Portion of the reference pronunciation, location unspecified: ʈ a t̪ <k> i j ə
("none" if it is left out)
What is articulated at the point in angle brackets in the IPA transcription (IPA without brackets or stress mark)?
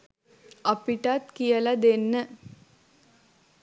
k